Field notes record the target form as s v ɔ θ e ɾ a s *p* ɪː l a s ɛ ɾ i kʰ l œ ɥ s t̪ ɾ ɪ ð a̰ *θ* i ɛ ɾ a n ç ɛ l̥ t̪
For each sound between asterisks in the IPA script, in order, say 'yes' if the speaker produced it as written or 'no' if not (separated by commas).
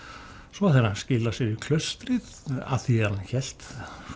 no, yes